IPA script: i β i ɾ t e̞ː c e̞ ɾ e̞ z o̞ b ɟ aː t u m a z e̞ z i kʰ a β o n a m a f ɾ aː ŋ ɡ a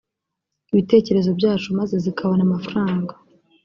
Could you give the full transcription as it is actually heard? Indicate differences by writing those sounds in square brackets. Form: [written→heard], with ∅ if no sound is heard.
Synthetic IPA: i β i [ɾ→∅] t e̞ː c e̞ ɾ e̞ z o̞ b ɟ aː [t→t͡ʃ] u m a z e̞ z i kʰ a β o n a m a f ɾ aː ŋ ɡ a